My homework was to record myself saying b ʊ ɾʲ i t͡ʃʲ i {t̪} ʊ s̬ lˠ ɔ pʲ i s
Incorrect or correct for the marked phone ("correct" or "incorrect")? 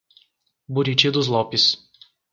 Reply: incorrect